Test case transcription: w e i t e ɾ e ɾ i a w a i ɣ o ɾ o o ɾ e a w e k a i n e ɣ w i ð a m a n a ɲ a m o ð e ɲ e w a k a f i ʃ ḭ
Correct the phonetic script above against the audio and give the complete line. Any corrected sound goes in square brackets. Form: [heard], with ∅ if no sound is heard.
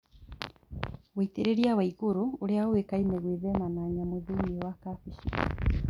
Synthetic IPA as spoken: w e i t e ɾ e ɾ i a w a i ɣ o ɾ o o ɾ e a w e k a i n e ɣ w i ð [ɛ] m a n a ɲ a m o ð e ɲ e w a k a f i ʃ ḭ